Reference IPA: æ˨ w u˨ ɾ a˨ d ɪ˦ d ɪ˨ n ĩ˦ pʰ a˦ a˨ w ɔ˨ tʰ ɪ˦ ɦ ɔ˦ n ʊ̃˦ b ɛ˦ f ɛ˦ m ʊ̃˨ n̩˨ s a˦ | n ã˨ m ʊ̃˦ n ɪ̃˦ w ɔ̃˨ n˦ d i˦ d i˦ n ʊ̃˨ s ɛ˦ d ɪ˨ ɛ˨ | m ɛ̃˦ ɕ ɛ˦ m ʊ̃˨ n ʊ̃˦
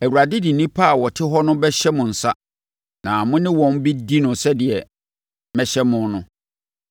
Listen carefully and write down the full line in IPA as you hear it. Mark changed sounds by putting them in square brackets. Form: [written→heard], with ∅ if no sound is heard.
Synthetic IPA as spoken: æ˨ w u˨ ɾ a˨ d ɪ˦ d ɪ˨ n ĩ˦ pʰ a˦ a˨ w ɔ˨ tʰ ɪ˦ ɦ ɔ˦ n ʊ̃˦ b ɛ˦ [f→ɕ] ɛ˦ m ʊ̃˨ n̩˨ s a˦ | n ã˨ m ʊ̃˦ n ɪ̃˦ w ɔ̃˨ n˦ [d→b] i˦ d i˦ n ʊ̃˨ s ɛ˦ d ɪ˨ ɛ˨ | m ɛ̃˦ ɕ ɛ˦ m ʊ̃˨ n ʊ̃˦

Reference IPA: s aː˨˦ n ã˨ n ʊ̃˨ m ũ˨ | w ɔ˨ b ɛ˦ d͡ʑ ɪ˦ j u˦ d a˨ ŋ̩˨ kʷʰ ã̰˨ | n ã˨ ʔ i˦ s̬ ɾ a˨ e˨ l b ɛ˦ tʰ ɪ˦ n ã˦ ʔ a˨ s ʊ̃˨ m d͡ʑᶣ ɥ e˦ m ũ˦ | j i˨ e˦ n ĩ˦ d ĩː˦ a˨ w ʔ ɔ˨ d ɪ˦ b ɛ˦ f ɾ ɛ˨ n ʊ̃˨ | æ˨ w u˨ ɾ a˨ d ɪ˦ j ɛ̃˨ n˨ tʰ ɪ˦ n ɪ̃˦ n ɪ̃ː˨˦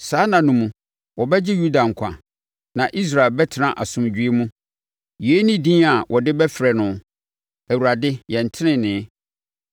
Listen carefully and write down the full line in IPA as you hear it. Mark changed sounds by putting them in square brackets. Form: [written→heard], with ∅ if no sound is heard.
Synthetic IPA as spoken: s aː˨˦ n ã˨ n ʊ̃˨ m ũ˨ | w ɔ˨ b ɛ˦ d͡ʑ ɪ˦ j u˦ d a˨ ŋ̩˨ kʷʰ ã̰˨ | n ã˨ ʔ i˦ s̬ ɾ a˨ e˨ l b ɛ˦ tʰ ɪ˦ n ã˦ ʔ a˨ s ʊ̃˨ m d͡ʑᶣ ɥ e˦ m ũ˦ | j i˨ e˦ n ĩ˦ d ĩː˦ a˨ w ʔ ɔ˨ d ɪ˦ b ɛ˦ f ɾ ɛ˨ n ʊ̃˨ | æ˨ w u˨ ɾ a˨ d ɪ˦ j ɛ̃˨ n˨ tʰ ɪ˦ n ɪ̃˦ n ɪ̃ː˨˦

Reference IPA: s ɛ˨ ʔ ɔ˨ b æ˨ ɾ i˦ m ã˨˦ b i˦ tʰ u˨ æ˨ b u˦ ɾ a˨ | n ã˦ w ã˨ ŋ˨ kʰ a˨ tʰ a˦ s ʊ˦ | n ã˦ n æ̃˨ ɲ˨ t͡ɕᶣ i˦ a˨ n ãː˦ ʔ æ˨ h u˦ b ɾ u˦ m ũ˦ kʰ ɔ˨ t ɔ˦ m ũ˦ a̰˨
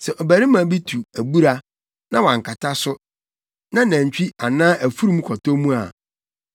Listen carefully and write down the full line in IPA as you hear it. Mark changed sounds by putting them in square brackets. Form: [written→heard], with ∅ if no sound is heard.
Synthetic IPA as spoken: s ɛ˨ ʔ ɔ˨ b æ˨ ɾ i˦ m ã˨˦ b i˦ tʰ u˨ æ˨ b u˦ ɾ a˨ | n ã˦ w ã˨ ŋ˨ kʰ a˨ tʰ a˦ s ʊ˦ | n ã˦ n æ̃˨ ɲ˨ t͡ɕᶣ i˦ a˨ n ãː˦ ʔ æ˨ [h→f] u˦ [b→∅] ɾ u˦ m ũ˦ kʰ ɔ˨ t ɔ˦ m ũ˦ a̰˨

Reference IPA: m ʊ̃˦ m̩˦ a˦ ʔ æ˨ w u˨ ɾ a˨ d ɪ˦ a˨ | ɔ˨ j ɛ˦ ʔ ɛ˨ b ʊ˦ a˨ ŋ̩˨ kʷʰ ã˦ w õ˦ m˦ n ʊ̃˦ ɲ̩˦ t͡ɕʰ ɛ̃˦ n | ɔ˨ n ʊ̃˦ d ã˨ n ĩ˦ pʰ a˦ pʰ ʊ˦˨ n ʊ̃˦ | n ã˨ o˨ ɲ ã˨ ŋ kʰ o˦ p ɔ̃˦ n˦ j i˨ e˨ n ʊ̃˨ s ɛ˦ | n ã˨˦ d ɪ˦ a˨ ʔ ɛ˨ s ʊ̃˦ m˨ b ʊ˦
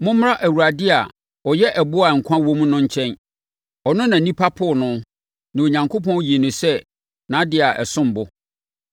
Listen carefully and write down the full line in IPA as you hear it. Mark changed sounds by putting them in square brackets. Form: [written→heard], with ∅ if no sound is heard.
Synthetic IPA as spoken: m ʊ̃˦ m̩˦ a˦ ʔ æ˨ w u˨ ɾ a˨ d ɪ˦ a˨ | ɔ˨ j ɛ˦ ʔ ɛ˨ b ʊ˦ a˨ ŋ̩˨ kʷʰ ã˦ w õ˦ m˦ n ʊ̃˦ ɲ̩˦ t͡ɕʰ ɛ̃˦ n | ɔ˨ n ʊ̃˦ [d→n] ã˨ n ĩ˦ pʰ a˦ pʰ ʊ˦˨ n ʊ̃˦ | n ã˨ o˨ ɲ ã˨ ŋ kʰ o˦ p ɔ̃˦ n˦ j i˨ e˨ n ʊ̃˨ s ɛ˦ | n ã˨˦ d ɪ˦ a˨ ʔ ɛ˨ s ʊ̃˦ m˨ b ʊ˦

